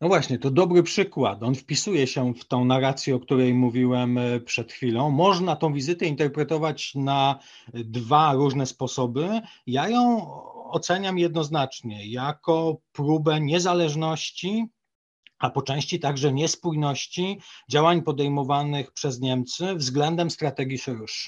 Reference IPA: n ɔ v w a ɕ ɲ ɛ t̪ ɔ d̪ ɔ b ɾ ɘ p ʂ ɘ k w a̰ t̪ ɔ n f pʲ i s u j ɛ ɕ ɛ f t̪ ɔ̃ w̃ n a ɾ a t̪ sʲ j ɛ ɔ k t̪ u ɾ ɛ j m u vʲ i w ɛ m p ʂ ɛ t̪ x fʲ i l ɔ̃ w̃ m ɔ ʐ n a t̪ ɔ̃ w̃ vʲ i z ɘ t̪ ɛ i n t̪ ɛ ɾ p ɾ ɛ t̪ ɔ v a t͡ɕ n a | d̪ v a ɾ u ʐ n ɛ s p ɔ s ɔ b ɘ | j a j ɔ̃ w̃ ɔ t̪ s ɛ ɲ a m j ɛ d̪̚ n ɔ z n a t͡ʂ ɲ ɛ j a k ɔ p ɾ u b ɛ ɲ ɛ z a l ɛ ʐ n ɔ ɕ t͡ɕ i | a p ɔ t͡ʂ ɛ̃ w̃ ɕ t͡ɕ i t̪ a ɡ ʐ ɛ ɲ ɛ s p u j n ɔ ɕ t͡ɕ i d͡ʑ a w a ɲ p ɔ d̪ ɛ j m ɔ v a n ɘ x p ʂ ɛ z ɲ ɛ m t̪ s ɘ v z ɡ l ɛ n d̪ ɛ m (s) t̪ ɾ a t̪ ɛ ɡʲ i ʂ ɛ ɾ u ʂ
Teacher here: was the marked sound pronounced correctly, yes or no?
yes